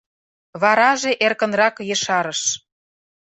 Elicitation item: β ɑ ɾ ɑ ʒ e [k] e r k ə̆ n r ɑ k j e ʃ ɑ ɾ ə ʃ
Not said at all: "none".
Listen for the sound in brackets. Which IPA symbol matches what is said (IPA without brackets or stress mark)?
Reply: ʔ